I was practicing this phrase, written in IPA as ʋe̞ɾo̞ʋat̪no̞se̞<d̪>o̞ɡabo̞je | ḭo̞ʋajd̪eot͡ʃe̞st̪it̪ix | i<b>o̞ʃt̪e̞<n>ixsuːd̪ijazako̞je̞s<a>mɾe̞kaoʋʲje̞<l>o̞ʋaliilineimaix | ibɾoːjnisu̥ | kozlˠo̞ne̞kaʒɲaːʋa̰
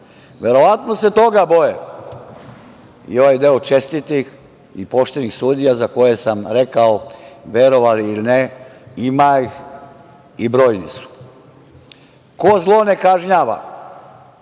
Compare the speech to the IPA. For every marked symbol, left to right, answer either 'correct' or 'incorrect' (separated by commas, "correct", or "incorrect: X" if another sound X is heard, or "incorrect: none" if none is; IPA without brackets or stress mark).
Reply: incorrect: t̪, incorrect: p, correct, correct, incorrect: ɾ